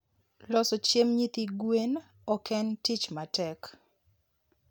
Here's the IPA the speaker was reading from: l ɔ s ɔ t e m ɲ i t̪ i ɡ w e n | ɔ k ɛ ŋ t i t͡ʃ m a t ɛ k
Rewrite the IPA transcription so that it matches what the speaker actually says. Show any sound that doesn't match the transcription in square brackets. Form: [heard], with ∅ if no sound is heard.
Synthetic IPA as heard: l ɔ s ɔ [t͡ʃ] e m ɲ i t̪ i ɡ w e n | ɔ k ɛ [n] t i t͡ʃ m a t ɛ k